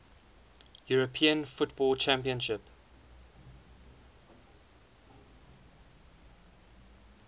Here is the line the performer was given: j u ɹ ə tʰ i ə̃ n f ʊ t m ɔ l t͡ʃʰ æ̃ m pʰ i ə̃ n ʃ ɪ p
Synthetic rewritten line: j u ɹ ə pʰ i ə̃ n f ʊ t b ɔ l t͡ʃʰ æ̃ m p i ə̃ n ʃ ɪ p